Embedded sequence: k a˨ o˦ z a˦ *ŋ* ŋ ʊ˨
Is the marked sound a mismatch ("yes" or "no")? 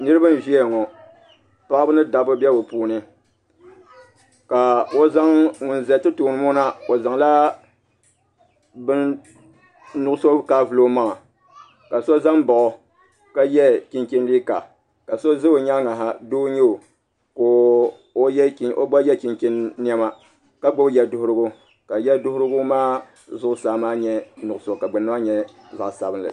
no